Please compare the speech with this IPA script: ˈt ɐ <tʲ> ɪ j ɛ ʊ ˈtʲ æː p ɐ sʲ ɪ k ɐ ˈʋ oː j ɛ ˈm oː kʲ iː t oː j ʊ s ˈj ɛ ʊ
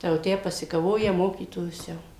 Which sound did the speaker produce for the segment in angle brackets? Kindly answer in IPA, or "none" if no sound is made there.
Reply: none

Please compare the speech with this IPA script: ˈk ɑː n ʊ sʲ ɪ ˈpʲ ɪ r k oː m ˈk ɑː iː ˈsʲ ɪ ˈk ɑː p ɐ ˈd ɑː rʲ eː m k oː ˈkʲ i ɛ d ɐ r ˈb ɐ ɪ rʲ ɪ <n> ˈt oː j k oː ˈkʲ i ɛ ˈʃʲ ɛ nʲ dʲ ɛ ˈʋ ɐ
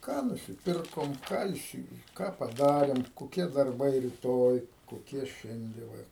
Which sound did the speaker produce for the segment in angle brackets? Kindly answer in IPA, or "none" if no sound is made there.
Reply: none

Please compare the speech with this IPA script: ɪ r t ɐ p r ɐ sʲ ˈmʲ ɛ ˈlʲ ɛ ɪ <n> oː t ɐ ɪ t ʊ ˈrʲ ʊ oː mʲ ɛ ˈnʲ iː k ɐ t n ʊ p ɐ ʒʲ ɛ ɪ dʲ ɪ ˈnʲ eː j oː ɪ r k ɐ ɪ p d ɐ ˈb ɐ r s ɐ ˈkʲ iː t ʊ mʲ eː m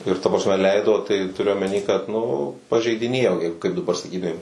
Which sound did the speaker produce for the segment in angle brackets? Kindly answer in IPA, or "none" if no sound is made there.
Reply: d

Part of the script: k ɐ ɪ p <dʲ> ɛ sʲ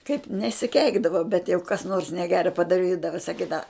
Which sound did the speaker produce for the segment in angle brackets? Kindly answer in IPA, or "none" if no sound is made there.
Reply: nʲ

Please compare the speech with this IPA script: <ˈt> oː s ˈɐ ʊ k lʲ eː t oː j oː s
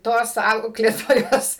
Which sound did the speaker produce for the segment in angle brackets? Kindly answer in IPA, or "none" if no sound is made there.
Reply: t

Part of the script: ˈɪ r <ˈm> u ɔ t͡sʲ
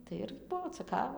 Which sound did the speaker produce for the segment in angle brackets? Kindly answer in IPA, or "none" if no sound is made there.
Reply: b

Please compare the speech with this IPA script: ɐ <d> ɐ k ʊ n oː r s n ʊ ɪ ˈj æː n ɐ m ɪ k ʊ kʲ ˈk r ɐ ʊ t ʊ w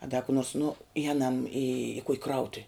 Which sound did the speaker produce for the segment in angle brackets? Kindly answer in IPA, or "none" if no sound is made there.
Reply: d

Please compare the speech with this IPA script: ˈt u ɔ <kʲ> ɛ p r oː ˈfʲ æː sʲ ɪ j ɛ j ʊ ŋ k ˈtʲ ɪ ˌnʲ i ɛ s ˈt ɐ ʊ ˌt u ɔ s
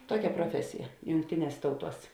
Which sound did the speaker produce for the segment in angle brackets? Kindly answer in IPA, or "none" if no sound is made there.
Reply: kʲ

